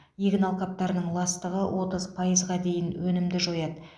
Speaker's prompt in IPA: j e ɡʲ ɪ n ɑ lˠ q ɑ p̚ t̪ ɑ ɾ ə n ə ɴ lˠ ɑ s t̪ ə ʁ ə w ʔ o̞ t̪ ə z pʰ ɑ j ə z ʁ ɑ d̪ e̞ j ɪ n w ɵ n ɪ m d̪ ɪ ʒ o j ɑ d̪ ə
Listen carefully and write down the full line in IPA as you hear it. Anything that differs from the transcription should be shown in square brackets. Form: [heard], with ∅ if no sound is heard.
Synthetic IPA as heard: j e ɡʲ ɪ n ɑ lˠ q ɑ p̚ t̪ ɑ ɾ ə n ə ɴ lˠ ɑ s t̪ ə ʁ ə w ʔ o̞ t̪ ə z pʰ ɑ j ə z ʁ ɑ d̪ e̞ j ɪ n w ɵ n ɪ m d̪ ɪ ʒ o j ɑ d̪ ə